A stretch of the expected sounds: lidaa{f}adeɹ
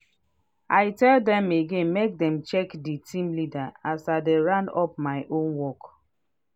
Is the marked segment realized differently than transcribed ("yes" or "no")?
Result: yes